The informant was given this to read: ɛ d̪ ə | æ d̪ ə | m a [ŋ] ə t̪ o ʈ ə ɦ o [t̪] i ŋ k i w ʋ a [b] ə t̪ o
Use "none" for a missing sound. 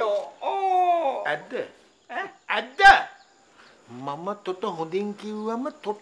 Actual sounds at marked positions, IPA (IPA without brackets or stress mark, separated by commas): m, d̪, m